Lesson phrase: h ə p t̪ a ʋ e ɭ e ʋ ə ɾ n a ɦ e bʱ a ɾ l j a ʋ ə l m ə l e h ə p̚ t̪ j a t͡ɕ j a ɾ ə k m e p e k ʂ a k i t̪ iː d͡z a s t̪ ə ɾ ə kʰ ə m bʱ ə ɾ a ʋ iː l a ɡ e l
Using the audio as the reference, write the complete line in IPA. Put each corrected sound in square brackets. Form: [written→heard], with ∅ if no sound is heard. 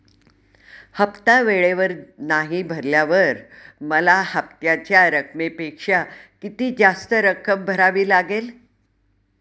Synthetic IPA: h ə p t̪ a ʋ e ɭ e ʋ ə ɾ n a ɦ [e→i] bʱ [a→ə] ɾ l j a ʋ ə [l→ɾ] m ə l [e→a] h ə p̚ t̪ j a t͡ɕ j a ɾ ə k m e p e k ʂ a k i t̪ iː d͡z a s t̪ ə ɾ ə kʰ ə m bʱ ə ɾ a ʋ iː l a ɡ e l